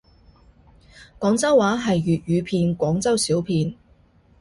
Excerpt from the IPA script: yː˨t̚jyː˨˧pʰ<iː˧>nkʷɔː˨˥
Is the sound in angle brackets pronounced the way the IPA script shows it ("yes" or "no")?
yes